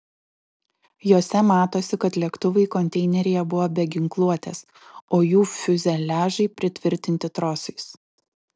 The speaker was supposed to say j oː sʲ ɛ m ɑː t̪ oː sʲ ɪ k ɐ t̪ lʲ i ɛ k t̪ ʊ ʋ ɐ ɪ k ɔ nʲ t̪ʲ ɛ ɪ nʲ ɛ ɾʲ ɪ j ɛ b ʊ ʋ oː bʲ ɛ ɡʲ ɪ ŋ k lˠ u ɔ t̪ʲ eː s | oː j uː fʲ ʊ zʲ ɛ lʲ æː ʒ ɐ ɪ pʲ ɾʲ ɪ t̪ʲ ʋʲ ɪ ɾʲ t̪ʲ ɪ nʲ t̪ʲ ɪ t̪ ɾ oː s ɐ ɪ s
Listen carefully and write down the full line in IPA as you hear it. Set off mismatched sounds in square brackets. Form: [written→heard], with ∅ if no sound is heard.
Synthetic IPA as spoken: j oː sʲ ɛ m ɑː t̪ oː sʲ ɪ k ɐ t̪ lʲ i ɛ k t̪ ʊ ʋ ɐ ɪ k ɔ nʲ t̪ʲ ɛ ɪ nʲ ɛ ɾʲ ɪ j ɛ b ʊ ʋ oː bʲ ɛ ɡʲ ɪ ŋ k lˠ u ɔ t̪ʲ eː s | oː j uː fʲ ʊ zʲ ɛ lʲ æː ʒ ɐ ɪ pʲ ɾʲ ɪ t̪ʲ ʋʲ ɪ ɾʲ t̪ʲ ɪ nʲ t̪ʲ ɪ t̪ ɾ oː s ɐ ɪ s